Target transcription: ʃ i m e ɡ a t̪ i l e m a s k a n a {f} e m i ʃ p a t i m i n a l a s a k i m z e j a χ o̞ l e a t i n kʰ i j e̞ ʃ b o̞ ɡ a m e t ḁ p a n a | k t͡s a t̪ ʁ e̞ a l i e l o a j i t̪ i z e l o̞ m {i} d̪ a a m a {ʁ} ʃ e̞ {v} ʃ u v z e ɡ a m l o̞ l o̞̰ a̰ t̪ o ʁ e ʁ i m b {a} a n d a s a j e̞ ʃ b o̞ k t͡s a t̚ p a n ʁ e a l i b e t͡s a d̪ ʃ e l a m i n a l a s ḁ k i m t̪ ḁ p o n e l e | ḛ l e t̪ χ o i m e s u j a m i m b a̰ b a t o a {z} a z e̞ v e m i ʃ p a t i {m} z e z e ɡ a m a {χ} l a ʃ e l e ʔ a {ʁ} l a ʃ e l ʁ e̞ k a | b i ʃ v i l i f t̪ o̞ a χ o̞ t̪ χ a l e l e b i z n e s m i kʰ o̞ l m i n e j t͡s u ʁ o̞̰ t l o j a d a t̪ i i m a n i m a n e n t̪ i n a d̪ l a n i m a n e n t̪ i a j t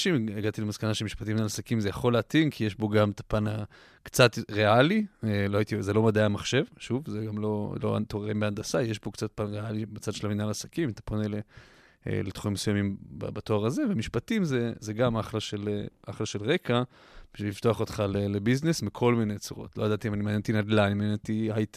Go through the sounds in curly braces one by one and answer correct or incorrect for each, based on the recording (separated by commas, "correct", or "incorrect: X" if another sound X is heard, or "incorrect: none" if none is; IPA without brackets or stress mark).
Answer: incorrect: ʃ, incorrect: a, incorrect: χ, correct, incorrect: e, incorrect: ʁ, correct, correct, incorrect: χ